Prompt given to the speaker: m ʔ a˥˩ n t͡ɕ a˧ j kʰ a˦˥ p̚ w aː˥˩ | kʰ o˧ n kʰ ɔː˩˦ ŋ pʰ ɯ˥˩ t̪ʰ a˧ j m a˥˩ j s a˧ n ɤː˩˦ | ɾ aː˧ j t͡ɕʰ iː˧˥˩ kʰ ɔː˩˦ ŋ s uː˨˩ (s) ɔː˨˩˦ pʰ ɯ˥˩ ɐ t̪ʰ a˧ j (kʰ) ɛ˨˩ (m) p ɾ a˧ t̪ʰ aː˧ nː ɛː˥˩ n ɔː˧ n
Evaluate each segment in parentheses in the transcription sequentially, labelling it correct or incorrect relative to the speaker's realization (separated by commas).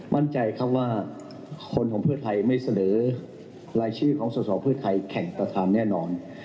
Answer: correct, correct, incorrect